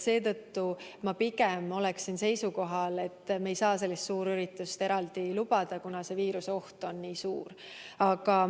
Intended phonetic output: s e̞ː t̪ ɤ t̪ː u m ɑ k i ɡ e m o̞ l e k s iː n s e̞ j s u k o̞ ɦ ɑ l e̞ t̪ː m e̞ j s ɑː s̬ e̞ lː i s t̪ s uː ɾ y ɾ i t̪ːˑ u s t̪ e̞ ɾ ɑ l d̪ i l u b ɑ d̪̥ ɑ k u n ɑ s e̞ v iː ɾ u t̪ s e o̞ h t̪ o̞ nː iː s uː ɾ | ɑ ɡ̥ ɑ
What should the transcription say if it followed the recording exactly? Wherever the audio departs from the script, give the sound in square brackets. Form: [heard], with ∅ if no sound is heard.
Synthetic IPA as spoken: s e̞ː t̪ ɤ t̪ː u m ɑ [p] i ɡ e m o̞ l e k s [i] n s e̞ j s u k o̞ ɦ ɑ l e̞ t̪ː m e̞ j s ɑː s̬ e̞ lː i s t̪ s uː ɾ y ɾ i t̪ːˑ u s t̪ e̞ ɾ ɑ l d̪ i l u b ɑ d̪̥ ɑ k u n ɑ s e̞ v iː ɾ u [∅] s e o̞ h t̪ o̞ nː iː s uː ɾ | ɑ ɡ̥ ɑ